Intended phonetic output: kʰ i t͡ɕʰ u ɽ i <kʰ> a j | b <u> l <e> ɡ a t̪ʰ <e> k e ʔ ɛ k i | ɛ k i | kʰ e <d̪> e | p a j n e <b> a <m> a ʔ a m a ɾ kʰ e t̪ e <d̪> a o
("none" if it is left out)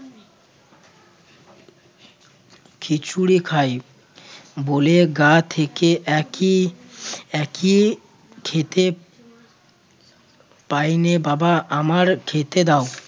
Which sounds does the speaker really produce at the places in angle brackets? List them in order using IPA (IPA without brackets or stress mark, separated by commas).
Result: kʰ, o, e, e, t̪, b, b, d̪